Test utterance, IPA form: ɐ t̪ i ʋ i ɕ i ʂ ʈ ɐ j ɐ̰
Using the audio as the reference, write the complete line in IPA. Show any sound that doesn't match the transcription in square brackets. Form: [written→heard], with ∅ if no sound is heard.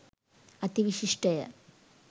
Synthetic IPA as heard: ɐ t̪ i ʋ i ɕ i ʂ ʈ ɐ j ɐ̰